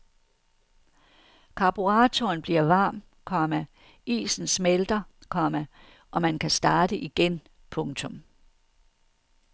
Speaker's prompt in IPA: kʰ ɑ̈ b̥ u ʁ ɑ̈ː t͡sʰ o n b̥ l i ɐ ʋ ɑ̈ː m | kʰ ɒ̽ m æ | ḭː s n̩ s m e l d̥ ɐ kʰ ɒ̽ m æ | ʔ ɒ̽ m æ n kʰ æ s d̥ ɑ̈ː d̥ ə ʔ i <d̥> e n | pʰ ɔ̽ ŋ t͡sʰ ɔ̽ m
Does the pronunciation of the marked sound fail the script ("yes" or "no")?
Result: yes